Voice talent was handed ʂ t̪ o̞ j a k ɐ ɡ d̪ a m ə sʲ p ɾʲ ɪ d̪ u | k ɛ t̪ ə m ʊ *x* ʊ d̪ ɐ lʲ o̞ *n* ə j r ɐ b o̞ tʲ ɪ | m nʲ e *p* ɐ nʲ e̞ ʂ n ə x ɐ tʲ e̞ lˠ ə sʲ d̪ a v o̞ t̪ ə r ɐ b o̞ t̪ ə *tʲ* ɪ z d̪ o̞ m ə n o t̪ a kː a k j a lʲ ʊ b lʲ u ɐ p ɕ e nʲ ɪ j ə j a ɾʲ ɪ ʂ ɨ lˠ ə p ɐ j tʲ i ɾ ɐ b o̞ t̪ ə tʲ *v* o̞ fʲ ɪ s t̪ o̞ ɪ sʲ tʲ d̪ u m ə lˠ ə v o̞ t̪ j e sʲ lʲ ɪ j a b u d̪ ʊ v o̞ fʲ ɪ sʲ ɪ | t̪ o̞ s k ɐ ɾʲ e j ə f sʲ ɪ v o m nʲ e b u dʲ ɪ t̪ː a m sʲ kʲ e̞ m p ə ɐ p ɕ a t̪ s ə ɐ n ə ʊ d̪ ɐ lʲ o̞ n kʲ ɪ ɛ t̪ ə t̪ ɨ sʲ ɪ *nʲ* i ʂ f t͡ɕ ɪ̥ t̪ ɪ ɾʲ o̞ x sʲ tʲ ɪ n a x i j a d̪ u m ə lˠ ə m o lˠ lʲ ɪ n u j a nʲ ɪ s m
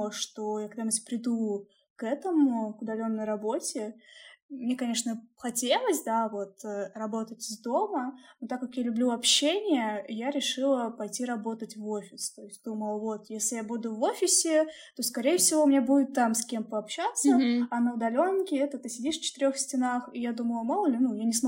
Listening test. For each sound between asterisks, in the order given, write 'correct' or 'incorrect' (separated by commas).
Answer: incorrect, incorrect, incorrect, correct, correct, incorrect